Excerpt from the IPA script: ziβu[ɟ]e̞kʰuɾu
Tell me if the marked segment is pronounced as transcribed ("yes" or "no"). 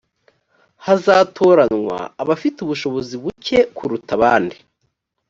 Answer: no